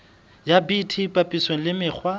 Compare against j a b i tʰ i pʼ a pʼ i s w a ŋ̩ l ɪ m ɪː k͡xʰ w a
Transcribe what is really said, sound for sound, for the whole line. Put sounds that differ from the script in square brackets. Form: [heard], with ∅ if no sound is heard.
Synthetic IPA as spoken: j a b i tʰ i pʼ a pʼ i s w [e] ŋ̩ l ɪ m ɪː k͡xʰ w a